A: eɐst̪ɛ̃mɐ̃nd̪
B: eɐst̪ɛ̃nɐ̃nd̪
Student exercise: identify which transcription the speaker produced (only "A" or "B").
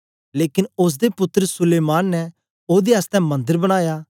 A